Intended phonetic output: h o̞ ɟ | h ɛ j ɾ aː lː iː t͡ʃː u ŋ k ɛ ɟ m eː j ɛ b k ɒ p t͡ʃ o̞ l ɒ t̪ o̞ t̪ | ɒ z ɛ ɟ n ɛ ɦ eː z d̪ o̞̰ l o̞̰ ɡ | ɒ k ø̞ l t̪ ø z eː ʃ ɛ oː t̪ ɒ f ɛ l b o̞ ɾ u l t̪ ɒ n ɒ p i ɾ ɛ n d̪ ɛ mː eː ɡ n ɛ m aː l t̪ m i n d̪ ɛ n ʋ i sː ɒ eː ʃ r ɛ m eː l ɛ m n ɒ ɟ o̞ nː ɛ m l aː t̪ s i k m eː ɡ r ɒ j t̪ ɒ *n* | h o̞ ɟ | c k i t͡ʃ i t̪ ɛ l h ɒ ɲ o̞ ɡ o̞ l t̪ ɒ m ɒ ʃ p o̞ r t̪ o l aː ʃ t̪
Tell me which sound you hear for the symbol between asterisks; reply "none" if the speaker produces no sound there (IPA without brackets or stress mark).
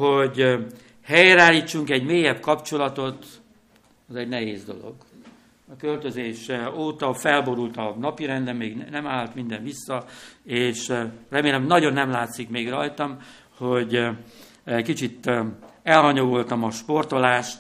m